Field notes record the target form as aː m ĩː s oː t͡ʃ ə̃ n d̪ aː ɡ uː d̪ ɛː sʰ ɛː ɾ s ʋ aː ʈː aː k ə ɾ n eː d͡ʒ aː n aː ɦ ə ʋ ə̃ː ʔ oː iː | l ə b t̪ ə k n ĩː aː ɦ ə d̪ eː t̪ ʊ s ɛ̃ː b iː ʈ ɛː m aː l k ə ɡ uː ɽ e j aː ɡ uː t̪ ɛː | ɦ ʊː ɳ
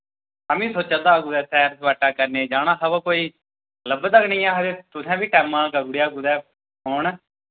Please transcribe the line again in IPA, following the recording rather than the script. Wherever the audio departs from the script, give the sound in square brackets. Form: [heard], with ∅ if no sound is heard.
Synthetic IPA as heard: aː m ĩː s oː t͡ʃ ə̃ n d̪ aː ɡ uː d̪ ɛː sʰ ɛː ɾ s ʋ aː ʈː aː k ə ɾ n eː d͡ʒ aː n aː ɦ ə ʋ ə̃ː [k] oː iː | l ə b t̪ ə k n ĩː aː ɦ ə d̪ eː t̪ ʊ s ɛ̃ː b iː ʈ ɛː m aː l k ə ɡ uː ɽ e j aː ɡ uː [d̪] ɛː | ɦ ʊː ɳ